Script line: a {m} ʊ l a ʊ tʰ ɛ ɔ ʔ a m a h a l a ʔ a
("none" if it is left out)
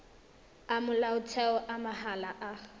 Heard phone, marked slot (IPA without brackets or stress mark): m